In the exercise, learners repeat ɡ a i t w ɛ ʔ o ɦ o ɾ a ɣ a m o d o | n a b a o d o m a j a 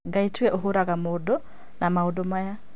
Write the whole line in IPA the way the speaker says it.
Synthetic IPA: ɡ a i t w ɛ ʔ o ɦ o ɾ a ɣ a m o d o | n a m a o d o m a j a